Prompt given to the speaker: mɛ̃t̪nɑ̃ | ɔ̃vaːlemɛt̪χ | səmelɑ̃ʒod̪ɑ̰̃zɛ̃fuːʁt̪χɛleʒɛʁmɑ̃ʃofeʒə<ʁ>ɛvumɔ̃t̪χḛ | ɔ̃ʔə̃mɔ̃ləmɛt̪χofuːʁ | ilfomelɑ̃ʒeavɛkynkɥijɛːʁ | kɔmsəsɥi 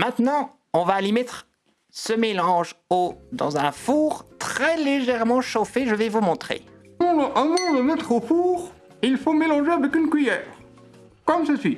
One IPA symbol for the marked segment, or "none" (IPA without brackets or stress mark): v